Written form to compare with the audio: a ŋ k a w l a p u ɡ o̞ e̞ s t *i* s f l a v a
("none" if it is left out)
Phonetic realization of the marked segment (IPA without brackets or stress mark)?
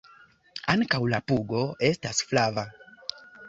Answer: a